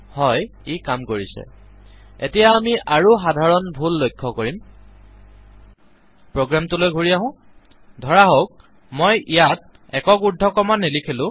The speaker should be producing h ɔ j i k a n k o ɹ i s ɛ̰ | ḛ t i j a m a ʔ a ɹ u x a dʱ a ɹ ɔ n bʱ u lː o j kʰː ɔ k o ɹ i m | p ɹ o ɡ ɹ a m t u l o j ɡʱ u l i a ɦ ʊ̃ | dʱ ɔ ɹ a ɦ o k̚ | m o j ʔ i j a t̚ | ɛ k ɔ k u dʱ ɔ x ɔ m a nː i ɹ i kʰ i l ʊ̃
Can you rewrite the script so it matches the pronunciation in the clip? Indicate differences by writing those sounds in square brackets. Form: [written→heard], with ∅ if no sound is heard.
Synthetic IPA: h ɔ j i k a [n→m] k o ɹ i s ɛ̰ | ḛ t i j a m [a→i] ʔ a ɹ u x a dʱ a ɹ ɔ n bʱ u lː o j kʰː ɔ k o ɹ i m | p ɹ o ɡ ɹ a m t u l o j ɡʱ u [l→ɹ] i a ɦ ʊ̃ | dʱ ɔ ɹ a ɦ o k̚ | m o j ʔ i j a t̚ | ɛ k ɔ k u dʱ ɔ [x→k] ɔ m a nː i [ɹ→l] i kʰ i l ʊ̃